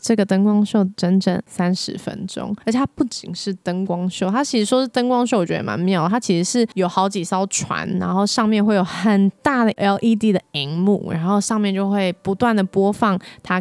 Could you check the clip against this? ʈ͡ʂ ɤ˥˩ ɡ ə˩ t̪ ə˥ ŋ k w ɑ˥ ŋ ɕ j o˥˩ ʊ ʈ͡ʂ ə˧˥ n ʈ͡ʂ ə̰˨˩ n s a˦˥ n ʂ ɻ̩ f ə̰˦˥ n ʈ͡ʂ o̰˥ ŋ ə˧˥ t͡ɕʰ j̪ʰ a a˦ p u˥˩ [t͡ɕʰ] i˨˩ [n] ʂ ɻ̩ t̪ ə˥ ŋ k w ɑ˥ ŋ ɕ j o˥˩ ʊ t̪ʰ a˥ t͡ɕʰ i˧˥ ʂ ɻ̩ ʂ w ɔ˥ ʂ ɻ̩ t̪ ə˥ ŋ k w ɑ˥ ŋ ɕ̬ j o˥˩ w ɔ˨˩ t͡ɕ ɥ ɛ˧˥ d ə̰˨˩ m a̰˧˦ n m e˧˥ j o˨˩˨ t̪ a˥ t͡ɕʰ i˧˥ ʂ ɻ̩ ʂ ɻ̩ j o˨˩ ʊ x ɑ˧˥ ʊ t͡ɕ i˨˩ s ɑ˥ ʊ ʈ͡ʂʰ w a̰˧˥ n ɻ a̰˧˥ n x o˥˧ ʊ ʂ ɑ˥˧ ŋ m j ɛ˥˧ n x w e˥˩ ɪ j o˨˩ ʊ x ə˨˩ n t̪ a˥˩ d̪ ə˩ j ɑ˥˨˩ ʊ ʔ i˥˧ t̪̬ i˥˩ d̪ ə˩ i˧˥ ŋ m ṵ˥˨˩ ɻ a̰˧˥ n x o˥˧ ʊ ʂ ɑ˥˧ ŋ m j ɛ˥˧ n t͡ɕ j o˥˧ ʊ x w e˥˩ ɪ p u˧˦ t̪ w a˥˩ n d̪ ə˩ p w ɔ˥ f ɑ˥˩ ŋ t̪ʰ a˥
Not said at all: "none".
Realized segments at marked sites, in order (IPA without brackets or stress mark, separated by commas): t͡ɕ, ŋ